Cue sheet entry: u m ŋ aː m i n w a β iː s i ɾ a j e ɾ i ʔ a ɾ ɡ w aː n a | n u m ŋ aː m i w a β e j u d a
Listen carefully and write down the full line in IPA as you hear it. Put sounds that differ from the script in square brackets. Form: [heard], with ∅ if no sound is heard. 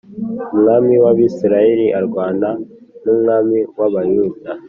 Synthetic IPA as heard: u m ŋ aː m i [∅] w a β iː s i ɾ a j e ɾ i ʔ a ɾ ɡ w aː n a | n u m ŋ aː m i w a β [a] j u d a

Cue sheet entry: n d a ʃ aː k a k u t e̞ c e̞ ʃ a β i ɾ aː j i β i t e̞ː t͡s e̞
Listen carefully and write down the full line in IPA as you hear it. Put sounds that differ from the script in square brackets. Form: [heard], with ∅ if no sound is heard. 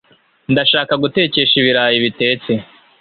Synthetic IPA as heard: n d a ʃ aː k a [ɡ] u t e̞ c e̞ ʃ [i] β i ɾ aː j i β i t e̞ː t͡s e̞

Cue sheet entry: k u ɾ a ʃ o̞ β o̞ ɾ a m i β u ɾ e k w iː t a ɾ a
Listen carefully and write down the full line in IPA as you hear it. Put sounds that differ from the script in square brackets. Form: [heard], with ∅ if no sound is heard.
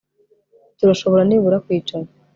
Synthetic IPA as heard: [t] u ɾ a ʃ o̞ β o̞ ɾ a [n] i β u ɾ [a] k w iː [t͡ʃ] a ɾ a

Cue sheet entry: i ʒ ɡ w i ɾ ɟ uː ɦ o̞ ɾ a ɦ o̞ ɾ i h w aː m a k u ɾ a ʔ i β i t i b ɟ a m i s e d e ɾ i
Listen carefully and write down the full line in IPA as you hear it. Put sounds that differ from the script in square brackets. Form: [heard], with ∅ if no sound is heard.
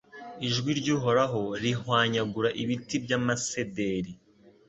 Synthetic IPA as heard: i ʒ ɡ w i ɾ ɟ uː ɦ o̞ ɾ a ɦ o̞ ɾ i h w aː [ɲ] a [ɡ] u ɾ a ʔ i β i t i b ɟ a m [a] s e d e ɾ i

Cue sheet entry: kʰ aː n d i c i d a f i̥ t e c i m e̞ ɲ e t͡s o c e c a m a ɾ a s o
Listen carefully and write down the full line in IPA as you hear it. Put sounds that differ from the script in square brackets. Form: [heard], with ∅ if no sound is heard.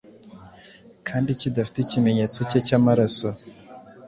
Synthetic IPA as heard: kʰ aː n d i c i d a f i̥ t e c i m e̞ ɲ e t͡s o c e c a m a ɾ a s o

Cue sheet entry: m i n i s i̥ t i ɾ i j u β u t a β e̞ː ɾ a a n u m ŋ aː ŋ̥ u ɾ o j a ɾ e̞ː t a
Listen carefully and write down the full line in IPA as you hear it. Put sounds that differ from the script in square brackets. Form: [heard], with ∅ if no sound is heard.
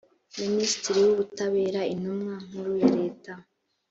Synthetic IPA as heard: m i n i s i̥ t i ɾ i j u β u t a β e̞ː ɾ a [i] n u m ŋ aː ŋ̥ u ɾ [u] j a ɾ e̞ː t a

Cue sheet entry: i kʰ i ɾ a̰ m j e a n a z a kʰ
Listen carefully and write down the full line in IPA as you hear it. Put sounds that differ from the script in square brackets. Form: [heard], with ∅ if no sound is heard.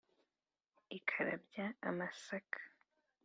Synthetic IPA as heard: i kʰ [a] ɾ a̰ [b] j [a] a [m] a [s] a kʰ

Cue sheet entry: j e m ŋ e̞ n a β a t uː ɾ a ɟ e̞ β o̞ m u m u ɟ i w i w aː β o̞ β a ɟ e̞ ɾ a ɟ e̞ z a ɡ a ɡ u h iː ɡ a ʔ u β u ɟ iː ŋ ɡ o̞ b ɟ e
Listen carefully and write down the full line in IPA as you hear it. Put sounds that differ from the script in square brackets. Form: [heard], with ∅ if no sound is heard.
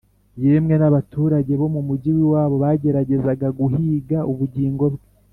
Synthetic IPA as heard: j e m ŋ e̞ n a β a t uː ɾ a ɟ e̞ β o̞ m u m u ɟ i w i w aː β o̞ β a ɟ e̞ ɾ a ɟ e̞ z a ɡ a ɡ u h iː ɡ a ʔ u β u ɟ iː ŋ ɡ o̞ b [ɡ] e

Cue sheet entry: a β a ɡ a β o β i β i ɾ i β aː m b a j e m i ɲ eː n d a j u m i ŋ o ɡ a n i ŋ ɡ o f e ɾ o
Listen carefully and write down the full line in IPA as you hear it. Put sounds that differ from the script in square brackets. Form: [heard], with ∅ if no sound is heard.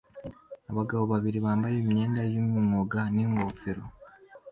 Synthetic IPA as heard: a β a ɡ a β o β [a] β i ɾ i β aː m b a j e m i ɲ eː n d a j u m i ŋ o ɡ a n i ŋ ɡ o f e ɾ o

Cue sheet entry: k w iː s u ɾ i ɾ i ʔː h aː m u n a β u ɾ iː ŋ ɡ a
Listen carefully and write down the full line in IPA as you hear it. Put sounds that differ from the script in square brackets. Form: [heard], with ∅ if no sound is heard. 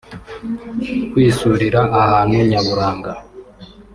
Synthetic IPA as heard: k w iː s u ɾ i ɾ [a] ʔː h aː [n] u [ɲ] a β u ɾ [aː] ŋ ɡ a

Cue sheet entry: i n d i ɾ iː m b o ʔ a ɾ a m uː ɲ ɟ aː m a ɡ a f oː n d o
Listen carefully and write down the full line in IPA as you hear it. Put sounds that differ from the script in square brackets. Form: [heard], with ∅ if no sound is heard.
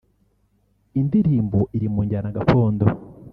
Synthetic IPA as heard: i n d i ɾ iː m b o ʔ [i] ɾ [i] m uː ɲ ɟ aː [n] a ɡ a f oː n d o

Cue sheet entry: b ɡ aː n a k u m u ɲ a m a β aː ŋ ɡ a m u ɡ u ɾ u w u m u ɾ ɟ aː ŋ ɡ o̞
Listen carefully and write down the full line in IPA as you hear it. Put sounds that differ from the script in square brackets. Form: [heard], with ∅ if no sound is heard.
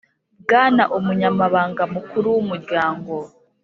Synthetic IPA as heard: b ɡ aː n a [ʔ] u m u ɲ a m a β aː ŋ ɡ a m u [k] u ɾ u w u m u ɾ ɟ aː ŋ ɡ o̞

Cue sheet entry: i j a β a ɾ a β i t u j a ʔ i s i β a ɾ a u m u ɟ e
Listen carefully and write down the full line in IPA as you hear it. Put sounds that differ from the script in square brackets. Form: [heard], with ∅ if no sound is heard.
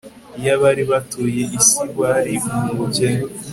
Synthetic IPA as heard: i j a β a ɾ [i] β [a] t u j [e] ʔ i s i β a ɾ [i] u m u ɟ e

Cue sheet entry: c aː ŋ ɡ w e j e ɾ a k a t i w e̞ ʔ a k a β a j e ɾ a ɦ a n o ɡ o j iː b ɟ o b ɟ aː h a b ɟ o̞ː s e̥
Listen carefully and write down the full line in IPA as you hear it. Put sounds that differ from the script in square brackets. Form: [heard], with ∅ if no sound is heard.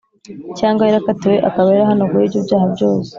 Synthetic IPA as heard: c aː ŋ ɡ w [a] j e ɾ a k a t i w e̞ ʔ a k a β a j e ɾ a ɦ a n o ɡ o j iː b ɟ o b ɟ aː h a b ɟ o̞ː s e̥

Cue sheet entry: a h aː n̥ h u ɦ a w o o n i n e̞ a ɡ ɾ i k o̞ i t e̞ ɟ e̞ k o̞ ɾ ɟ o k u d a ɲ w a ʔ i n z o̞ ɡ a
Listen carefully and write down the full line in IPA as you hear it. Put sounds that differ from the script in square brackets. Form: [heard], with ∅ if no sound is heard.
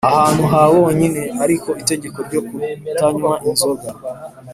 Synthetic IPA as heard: a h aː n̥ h u ɦ a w o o [ɲ] i n e̞ a [∅] ɾ i k o̞ i t e̞ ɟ e̞ k o̞ ɾ ɟ o k u [t] a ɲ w a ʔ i n z o̞ ɡ a

